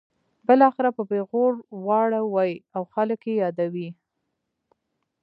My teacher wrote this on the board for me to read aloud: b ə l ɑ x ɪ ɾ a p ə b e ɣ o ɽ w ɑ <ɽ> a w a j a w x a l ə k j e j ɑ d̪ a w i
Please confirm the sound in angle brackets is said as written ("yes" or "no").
yes